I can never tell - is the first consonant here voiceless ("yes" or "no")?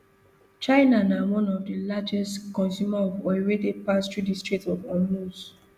yes